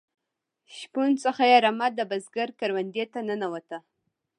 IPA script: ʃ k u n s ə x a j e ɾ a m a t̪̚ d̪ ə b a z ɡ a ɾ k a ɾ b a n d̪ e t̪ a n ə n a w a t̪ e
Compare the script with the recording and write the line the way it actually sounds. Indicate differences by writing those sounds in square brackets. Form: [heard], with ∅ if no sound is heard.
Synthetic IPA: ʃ [p] u n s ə x a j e ɾ a m a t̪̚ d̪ ə b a z ɡ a ɾ k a ɾ [w] a n d̪ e t̪ a n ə n a w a t̪ [a]